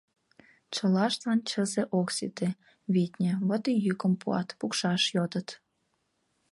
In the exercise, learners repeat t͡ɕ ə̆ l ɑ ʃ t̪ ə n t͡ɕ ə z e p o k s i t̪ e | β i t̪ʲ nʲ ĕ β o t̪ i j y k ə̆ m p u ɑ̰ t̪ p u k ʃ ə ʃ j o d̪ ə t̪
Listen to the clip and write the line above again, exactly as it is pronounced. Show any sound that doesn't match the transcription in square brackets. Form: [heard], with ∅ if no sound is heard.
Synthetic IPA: t͡ɕ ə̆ l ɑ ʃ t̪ [ɑ] n t͡ɕ ə z e [ʔ] o k s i t̪ e | β i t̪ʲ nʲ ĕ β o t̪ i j y k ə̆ m p u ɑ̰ t̪ p u k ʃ [ɑ] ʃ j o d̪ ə t̪